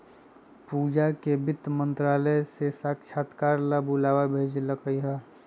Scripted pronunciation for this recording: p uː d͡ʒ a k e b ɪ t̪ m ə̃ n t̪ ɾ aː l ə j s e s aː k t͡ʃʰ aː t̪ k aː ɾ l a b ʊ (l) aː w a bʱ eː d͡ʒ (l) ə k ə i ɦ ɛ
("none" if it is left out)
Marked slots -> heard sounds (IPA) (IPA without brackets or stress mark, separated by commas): l, l